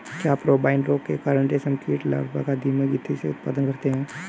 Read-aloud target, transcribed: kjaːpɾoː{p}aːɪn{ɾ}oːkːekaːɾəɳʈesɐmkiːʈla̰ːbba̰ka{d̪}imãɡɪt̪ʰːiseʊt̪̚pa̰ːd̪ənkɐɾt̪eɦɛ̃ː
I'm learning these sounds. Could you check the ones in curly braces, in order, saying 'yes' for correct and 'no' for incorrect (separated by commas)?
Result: no, yes, yes